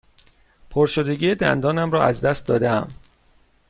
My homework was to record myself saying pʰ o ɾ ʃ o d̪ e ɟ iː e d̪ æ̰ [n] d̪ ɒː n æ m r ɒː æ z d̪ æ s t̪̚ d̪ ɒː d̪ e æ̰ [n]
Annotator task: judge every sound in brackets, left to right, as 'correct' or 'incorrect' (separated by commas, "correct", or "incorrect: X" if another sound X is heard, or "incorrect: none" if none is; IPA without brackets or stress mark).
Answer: correct, incorrect: m